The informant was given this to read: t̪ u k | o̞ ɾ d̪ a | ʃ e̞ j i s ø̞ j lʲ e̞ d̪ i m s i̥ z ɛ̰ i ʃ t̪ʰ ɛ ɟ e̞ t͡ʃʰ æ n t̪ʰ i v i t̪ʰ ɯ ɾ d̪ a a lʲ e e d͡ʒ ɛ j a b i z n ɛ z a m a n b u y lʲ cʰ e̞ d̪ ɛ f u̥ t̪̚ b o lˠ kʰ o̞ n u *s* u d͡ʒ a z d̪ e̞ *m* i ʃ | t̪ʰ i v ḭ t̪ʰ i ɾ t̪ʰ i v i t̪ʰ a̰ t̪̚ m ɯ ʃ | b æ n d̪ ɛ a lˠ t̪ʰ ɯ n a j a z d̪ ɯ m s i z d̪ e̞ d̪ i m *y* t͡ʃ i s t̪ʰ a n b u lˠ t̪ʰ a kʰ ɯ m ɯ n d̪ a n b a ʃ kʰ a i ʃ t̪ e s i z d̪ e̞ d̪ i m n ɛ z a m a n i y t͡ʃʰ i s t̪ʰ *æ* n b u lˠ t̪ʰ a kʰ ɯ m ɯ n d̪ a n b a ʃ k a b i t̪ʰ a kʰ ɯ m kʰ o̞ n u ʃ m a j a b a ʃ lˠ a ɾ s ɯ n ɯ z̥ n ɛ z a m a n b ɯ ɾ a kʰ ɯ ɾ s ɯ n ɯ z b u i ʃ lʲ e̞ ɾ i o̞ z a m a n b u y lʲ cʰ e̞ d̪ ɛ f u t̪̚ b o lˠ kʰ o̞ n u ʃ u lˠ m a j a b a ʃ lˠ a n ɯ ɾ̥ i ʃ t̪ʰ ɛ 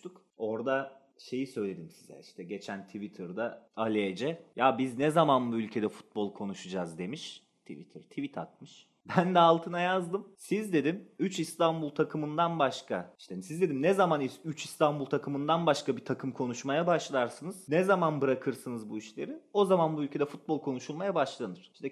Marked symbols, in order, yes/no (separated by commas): no, yes, yes, no